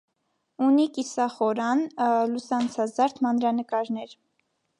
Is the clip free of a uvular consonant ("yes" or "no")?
no